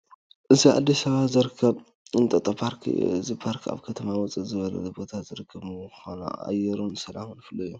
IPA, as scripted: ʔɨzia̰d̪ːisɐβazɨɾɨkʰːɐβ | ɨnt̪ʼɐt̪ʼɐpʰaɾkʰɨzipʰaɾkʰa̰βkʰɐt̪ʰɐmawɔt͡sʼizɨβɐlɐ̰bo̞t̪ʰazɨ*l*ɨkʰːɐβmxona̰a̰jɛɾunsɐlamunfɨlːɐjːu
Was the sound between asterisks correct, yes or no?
no